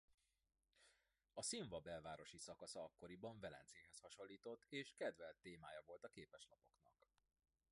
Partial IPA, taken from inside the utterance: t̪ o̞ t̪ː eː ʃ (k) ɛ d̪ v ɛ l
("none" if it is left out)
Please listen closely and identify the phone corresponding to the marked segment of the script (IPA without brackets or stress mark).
k